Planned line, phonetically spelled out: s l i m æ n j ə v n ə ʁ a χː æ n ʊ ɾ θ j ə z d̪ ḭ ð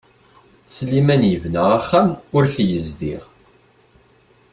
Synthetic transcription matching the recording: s l i m æ n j ə v n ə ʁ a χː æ m ʊ ɾ θ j ə z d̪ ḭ ʁ

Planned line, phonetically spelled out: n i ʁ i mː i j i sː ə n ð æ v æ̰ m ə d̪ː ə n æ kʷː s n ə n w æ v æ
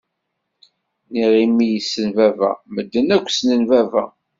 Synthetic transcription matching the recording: n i ʁ i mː i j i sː ə n v æ v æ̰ m ə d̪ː ə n æ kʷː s n ə n v æ v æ

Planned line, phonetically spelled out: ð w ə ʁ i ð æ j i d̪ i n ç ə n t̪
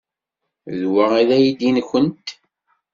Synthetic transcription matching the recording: ð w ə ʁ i ð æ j i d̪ i n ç ə n t̪

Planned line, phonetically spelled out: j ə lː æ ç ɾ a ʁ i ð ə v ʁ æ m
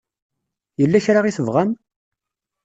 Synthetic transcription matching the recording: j ə lː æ ç ɾ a ʁ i θ ə v ʁ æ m

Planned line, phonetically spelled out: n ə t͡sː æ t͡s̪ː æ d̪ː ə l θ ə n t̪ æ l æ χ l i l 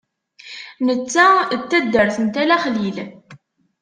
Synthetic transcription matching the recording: n ə t͡sː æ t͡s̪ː æ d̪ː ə ɾ θ ə n t̪ æ l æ χ l i l

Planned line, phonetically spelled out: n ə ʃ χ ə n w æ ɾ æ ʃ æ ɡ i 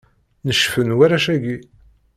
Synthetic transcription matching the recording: n ə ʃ f ə n w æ ɾ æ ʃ æ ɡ i

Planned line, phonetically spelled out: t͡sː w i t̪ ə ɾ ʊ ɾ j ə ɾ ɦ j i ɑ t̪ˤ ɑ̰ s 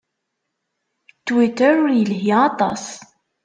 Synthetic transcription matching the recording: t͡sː w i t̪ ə ɾ ʊ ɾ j ə l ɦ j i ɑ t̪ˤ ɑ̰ s

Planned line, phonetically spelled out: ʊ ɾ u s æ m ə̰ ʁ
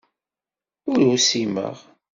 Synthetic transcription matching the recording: ʊ ɾ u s i m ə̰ ʁ

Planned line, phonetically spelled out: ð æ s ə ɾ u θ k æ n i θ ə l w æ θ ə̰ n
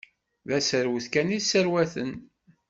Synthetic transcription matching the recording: ð æ s ə ɾ w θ k æ n i s ə ɾ w æ θ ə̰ n

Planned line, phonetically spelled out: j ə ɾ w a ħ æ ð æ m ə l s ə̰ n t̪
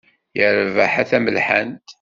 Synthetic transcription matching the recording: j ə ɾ v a ħ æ θ æ m ə l ħ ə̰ n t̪

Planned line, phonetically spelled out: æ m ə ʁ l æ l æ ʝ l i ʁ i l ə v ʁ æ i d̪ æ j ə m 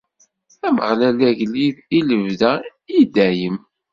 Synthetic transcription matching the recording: æ m ə ʁ l æ l æ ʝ l i ð i l ə v ð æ i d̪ æ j ə m

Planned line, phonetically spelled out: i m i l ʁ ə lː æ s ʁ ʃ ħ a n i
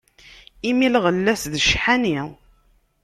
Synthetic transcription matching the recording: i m i l ʁ ə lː æ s ð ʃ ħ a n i

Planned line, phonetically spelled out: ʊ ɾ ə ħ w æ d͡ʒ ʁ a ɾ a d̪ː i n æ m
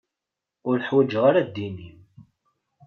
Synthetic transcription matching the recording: ʊ ɾ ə ħ w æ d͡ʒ ʁ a ɾ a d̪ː i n i m

